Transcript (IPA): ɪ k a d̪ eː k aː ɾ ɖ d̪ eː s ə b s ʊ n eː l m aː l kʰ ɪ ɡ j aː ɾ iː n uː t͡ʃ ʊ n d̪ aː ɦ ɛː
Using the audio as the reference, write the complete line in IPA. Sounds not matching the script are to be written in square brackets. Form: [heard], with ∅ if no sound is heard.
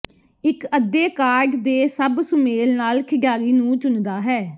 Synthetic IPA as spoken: ɪ k [ə] d̪ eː k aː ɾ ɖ d̪ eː s ə b s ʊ [m] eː l [n] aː l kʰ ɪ ɡ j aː ɾ iː n [ũː] t͡ʃ ʊ n d̪ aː ɦ ɛː

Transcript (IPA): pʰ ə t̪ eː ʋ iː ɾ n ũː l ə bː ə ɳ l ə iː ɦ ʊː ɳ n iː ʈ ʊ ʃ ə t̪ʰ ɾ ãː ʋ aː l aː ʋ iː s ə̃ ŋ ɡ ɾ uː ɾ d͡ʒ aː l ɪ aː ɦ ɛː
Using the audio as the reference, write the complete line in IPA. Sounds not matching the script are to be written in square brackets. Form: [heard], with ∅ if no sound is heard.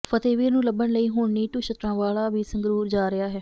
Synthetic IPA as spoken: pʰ ə t̪ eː ʋ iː ɾ n ũː l ə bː ə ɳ l ə iː ɦ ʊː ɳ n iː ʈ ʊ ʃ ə [t̪] ɾ ãː ʋ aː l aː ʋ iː s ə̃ ŋ ɡ ɾ uː ɾ d͡ʒ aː [ɾ] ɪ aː ɦ ɛː

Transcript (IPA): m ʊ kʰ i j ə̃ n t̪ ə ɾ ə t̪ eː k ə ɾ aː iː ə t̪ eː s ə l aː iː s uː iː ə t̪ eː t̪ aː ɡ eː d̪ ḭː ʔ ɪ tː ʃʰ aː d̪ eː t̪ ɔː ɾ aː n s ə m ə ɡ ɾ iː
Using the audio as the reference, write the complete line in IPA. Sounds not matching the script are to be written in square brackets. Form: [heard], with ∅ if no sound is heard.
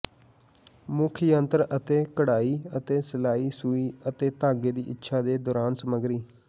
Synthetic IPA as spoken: m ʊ kʰ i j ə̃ n t̪ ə ɾ ə t̪ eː k ə [ɽ] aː iː ə t̪ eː s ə l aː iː s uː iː ə t̪ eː t̪ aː ɡ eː d̪ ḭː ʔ ɪ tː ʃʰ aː d̪ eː [d̪] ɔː ɾ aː n s ə m ə ɡ ɾ iː

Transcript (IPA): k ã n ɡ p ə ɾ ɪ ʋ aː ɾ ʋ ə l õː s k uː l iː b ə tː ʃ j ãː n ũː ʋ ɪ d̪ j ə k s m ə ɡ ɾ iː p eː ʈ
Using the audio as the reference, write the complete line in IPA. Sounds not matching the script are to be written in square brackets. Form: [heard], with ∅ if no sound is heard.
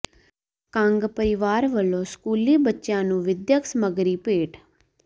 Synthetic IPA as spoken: k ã [ŋ] ɡ p ə ɾ ɪ ʋ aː ɾ ʋ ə l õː s k uː l iː b ə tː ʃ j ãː n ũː ʋ ɪ d̪ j ə k s m ə ɡ ɾ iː p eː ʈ

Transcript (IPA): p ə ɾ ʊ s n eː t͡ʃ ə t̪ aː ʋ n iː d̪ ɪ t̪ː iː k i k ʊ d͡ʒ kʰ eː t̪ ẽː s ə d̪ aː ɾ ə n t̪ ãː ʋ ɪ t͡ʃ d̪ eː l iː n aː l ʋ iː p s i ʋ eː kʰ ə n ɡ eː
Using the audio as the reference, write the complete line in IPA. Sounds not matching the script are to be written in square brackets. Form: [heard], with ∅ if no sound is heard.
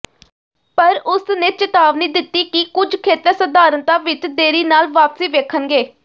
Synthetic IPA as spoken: p ə ɾ ʊ s n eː t͡ʃ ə t̪ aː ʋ n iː d̪ ɪ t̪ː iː k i k ʊ d͡ʒ kʰ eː t̪ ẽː s ə d̪ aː ɾ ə n t̪ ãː ʋ ɪ t͡ʃ d̪ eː [ɾ] iː n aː l ʋ [aː] p s [iː] ʋ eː kʰ ə n ɡ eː

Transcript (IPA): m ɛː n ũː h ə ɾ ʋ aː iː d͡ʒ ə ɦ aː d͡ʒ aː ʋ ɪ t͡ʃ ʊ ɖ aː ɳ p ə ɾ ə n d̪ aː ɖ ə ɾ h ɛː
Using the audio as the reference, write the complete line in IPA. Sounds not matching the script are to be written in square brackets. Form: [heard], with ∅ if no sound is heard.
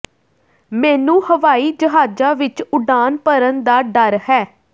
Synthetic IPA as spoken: m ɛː n ũː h ə [∅] ʋ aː iː d͡ʒ ə ɦ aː d͡ʒ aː ʋ ɪ t͡ʃ ʊ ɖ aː [n] p ə ɾ ə n d̪ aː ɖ ə ɾ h ɛː

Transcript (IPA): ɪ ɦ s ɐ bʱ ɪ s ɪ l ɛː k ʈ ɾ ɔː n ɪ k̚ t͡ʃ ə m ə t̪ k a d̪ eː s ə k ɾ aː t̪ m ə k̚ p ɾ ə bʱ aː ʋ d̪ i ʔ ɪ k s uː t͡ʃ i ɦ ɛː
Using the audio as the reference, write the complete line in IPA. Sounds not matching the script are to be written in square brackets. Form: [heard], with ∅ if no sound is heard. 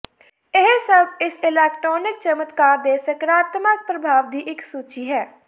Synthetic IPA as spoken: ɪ ɦ s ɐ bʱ ɪ s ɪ l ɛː k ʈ ɾ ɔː n ɪ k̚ t͡ʃ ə m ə t̪ k a d̪ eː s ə k ɾ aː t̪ m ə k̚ p ɾ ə bʱ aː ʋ d̪ i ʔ ɪ k s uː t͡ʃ i ɦ ɛː

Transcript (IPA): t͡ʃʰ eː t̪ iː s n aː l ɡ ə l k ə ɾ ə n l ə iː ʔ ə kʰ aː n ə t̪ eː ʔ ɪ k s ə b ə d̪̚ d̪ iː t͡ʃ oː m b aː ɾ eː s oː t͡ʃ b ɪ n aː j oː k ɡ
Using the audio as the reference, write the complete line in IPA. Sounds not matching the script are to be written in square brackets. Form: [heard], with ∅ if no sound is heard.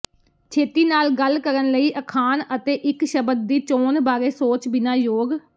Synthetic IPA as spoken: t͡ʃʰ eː t̪ iː [∅] n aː l ɡ ə l k ə ɾ ə n l ə iː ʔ ə kʰ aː n ə t̪ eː ʔ ɪ k [ʃ] ə b ə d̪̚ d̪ iː t͡ʃ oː [n] b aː ɾ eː s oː t͡ʃ b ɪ n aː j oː [∅] ɡ

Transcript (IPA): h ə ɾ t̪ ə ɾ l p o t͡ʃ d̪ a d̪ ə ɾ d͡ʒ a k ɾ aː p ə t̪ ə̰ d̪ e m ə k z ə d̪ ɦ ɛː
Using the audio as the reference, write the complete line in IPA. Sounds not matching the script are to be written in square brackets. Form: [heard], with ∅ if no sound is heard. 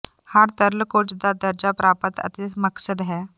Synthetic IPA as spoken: h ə ɾ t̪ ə ɾ l [k] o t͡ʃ d̪ a d̪ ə ɾ d͡ʒ a [p] ɾ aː p ə t̪ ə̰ [t̪] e m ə k [s] ə d̪ ɦ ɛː

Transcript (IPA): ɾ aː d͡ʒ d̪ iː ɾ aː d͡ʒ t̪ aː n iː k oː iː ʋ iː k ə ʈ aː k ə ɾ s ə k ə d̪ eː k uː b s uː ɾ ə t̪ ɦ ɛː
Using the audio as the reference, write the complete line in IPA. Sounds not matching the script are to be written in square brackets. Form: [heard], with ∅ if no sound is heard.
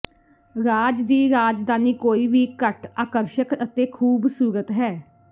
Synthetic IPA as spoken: ɾ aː d͡ʒ d̪ iː ɾ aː d͡ʒ [d̪] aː n iː k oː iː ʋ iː k ə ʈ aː k ə ɾ [ʃ] ə k ə [t̪] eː [kʰ] uː b s uː ɾ ə t̪ ɦ ɛː

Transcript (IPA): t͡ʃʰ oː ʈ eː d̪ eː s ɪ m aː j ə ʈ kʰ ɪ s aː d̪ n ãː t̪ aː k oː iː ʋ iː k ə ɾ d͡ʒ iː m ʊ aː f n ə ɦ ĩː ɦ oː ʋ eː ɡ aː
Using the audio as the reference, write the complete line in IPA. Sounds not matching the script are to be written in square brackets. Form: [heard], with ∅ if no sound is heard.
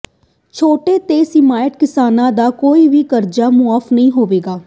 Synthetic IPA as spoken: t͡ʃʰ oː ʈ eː [t̪] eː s ɪ m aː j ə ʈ [k] ɪ s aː [∅] n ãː [d̪] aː k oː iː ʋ iː k ə ɾ d͡ʒ [aː] m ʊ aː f n ə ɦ ĩː ɦ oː ʋ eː ɡ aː

